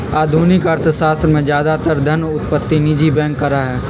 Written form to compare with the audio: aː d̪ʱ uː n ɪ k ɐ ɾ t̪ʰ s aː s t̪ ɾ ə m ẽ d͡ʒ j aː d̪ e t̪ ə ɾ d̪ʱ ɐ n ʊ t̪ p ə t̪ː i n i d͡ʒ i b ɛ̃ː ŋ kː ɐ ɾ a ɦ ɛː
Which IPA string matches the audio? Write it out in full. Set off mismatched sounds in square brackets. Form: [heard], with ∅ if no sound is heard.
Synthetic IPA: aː d̪ʱ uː n ɪ k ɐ ɾ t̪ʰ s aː s t̪ ɾ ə m ẽ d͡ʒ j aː d̪ [a] t̪ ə ɾ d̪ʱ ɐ n ʊ t̪ p ə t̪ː i n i d͡ʒ i b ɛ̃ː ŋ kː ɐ ɾ a ɦ ɛː

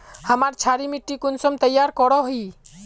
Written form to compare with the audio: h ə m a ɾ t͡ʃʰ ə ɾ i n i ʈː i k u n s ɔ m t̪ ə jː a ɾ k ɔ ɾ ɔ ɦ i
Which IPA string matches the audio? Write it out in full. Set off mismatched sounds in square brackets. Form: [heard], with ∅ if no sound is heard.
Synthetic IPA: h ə m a ɾ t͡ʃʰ [a] ɾ i [m] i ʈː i k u n s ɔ m t̪ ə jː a ɾ k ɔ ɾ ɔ ɦ i

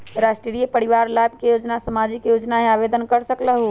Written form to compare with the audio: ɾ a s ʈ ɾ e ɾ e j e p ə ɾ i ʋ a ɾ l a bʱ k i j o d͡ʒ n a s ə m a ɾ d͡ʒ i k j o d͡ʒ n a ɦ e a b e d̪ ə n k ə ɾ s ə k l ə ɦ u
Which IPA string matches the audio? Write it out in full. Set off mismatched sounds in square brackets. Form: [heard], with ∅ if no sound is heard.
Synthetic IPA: ɾ a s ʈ ɾ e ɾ [i] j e p ə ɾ i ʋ a ɾ l a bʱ k [e] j o d͡ʒ n a s ə m a [∅] d͡ʒ i k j o d͡ʒ n a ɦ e a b e d̪ ə n k ə ɾ s ə k l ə ɦ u

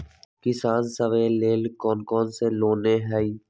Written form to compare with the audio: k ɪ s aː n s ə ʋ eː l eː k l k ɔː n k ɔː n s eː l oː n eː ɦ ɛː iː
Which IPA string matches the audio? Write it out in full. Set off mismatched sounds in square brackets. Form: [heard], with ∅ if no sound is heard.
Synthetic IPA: k ɪ s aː n s ə ʋ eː l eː [∅] l k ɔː n k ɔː n s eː l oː n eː ɦ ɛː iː

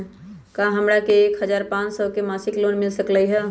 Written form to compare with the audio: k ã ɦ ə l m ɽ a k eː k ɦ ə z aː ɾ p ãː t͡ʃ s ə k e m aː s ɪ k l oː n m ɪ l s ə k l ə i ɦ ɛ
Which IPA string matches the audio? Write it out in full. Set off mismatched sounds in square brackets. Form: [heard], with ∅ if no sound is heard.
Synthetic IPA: k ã ɦ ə [∅] m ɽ a k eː k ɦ ə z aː ɾ p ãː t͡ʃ s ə k e m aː s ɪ k l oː n m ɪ l s ə k l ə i ɦ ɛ

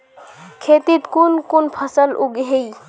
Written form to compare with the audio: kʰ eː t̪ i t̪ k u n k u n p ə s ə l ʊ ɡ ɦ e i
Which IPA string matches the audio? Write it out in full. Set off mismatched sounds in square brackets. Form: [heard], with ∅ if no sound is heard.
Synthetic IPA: kʰ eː t̪ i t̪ k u n k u n [pʰ] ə s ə l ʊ ɡ ɦ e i

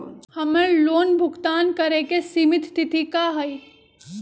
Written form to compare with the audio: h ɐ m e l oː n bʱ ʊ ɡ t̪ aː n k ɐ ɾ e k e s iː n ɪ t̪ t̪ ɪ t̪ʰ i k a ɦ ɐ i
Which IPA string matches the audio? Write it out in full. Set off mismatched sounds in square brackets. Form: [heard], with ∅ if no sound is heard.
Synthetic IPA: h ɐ m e l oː n bʱ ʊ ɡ t̪ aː n k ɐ ɾ e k e s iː [m] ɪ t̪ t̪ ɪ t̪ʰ i k a ɦ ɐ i

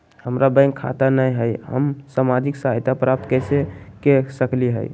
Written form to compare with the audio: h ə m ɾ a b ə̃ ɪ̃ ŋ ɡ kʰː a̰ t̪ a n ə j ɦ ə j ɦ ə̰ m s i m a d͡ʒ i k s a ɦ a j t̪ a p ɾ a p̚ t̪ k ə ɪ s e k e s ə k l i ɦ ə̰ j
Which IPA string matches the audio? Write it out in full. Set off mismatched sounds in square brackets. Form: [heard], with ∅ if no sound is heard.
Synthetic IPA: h ə m ɾ a b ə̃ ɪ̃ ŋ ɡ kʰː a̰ t̪ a n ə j ɦ ə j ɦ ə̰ m s [a] m a d͡ʒ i k s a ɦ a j t̪ a p ɾ a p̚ t̪ k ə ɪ s e k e s ə k l i ɦ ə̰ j

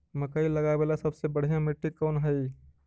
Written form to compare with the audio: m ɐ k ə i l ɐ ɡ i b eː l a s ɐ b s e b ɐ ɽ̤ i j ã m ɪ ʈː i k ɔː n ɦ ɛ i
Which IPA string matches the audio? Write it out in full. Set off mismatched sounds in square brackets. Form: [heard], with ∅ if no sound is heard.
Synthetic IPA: m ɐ k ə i l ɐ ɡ [a] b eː l a s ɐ b s e b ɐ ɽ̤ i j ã m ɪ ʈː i k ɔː n ɦ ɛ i

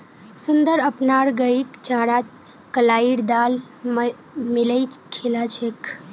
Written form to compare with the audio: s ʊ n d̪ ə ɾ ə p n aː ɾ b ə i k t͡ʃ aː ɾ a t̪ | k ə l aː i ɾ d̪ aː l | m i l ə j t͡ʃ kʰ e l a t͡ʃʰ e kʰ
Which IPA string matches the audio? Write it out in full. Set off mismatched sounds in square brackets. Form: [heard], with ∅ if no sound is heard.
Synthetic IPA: s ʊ n d̪ ə ɾ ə p n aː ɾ [ɡ] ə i k t͡ʃ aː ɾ a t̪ | k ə l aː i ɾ d̪ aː l | m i l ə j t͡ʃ kʰ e l a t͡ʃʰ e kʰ

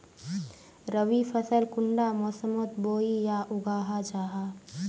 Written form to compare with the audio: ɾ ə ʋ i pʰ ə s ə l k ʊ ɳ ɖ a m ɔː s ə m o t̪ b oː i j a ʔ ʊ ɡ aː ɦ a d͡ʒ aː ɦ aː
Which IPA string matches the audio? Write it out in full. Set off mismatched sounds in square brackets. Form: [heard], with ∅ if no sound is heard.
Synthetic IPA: ɾ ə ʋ i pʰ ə s ə l k ʊ ɳ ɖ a m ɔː s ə m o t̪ b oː i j a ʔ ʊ ɡ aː ɦ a d͡ʒ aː ɦ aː

